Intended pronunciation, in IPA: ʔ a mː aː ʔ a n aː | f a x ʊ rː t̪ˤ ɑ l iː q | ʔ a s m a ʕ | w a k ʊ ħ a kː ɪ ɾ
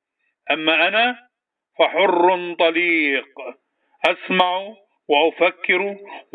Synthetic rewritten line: ʔ a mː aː ʔ a n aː | f a ħ ʊ rː t̪ˤ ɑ l iː q | ʔ a s m a ʕ | w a ʔ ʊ f a kː ɪ ɾ

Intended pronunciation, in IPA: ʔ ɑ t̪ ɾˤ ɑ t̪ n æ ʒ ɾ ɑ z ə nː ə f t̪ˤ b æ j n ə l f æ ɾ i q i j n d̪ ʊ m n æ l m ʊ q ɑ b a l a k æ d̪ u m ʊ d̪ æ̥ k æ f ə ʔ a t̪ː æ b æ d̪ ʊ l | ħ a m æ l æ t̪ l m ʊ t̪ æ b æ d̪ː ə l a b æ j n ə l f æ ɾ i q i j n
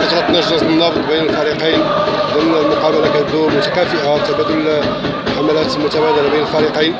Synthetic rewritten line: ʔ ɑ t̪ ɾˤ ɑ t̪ n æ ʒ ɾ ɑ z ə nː ɑ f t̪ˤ b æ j n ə l f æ ɾ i q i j n d̪ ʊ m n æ l m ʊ q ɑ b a l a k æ d̪ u m ʊ t̪ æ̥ k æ f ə ʔ a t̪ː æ b æ d̪ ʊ l | ħ a m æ l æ t̪ l m ʊ t̪ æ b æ d̪ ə l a b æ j n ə l f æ ɾ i q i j n

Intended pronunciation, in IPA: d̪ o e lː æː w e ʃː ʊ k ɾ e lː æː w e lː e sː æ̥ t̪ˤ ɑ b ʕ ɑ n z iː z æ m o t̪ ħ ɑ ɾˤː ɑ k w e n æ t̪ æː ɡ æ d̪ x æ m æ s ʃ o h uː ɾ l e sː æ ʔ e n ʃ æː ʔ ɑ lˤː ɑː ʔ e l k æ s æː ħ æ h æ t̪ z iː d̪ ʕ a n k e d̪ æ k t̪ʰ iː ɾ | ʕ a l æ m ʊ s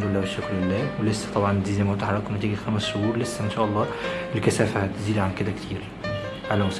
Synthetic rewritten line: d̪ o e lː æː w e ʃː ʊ k ɾ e lː æː w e l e sː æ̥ t̪ˤ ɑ b ʕ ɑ n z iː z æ m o t̪ ħ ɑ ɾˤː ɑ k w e n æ t̪ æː ɡ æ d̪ x æ m æ s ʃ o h uː ɾ l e sː æ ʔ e n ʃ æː ʔ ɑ lˤː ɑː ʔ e l k æ s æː f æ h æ t̪ z iː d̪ ʕ a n k e d̪ æ k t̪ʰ iː ɾ | ʕ a l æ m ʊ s

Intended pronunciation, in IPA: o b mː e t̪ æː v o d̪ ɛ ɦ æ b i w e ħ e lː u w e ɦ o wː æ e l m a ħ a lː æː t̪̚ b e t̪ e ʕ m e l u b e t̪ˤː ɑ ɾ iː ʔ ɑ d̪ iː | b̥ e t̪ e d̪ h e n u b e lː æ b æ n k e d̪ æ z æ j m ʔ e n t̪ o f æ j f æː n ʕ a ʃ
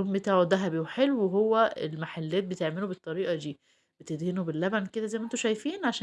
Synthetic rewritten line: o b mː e t̪ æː ʕ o d̪ æ ɦ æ b i w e ħ e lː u w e ɦ o wː æ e l m a ħ a lː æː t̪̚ b e t̪ e ʕ m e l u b e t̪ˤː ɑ ɾ iː ʔ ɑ d̪ iː | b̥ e t̪ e d̪ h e n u b e lː æ b æ n k e d̪ æ z æ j m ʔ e n t̪ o ʃ æ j f iː n ʕ a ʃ

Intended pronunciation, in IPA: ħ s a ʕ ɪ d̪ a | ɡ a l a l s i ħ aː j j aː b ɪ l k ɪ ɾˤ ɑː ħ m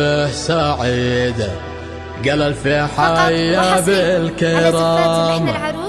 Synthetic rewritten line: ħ s a ʕ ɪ d̪ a | ɡ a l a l f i ħ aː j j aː b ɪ l k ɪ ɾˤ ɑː m

